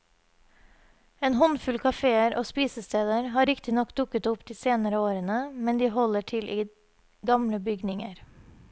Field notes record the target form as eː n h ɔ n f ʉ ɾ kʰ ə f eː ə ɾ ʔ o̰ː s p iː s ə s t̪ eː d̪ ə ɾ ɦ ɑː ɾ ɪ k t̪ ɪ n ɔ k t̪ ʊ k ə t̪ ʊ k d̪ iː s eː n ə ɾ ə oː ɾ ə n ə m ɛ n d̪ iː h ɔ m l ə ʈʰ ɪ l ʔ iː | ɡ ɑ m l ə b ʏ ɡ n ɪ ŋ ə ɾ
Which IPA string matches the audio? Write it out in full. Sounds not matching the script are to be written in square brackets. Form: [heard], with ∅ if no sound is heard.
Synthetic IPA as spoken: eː n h ɔ n f ʉ [l] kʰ [ɑ] f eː ə ɾ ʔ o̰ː s p iː s ə s t̪ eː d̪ ə ɾ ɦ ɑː ɾ ɪ k t̪ ɪ n ɔ k [d̪] ʊ k ə t̪ ʊ [p] d̪ iː s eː n ə ɾ ə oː ɾ ə n ə m ɛ n d̪ iː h ɔ [∅] l ə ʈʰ ɪ l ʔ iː | ɡ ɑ m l ə b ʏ ɡ n ɪ ŋ ə ɾ